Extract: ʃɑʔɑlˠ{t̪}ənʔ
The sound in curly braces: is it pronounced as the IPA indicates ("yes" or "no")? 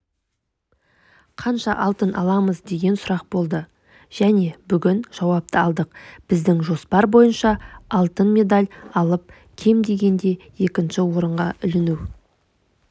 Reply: yes